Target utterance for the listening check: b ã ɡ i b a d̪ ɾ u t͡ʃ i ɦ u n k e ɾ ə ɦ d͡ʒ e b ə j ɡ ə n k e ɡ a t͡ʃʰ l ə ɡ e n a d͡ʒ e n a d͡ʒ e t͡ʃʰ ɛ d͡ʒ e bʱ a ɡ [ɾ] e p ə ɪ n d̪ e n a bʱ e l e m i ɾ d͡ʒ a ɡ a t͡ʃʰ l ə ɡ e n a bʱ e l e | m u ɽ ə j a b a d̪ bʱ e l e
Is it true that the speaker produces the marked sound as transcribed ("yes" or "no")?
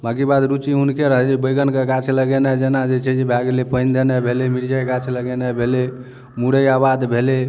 no